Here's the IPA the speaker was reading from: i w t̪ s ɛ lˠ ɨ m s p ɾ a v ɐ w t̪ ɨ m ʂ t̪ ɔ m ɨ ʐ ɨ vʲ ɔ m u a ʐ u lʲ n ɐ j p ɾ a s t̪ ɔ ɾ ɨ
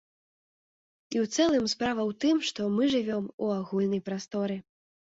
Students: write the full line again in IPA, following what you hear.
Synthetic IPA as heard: i w t̪ s ɛ lˠ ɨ m s p ɾ a v ɐ w t̪ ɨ m ʂ t̪ ɔ m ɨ ʐ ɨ vʲ ɔ m u a ɣ u lʲ n ɐ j p ɾ a s t̪ ɔ ɾ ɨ